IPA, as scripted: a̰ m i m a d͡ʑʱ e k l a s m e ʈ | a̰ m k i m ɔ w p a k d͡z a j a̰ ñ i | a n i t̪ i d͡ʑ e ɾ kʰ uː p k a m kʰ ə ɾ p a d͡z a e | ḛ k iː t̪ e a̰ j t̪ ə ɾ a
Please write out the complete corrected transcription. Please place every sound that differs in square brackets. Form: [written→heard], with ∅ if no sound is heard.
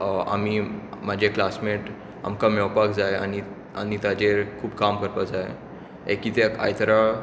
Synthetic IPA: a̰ m i m a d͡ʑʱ e k l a s m e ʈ | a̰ m k [i→a] m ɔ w p a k d͡z a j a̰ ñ i | a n i t̪ [i→a] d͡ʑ e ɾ kʰ uː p k a m [kʰ→k] ə ɾ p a d͡z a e | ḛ k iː t̪ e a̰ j t̪ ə ɾ a